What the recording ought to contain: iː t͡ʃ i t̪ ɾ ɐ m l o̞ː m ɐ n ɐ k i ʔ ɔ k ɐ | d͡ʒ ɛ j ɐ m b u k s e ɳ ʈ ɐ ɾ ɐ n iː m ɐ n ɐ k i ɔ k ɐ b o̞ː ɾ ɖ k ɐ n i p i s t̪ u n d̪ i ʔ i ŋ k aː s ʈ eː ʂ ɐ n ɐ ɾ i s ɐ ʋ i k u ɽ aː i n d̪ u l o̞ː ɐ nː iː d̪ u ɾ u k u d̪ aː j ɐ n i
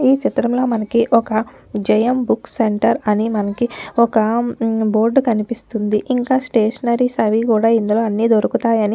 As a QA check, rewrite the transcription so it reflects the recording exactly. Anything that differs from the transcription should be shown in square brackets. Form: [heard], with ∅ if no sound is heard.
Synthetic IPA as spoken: iː t͡ʃ i t̪ ɾ ɐ m l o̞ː m ɐ n ɐ k i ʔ ɔ k ɐ | d͡ʒ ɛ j ɐ m b u k s e ɳ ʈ ɐ ɾ ɐ n [i] m ɐ n ɐ k i ɔ k ɐ b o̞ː ɾ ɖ k ɐ n i p i s t̪ u n d̪ i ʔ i ŋ k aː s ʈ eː ʂ ɐ n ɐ ɾ i s ɐ ʋ i k [uː] ɽ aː i n d̪ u l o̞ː ɐ nː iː d̪ [o] ɾ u k u [t̪] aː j ɐ n i